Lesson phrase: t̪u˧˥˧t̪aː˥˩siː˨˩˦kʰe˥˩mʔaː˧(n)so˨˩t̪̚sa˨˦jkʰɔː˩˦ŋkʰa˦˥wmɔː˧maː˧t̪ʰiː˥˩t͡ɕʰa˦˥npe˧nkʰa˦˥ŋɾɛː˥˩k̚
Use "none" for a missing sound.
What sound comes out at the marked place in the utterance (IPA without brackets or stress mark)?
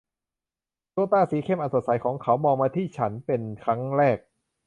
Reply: n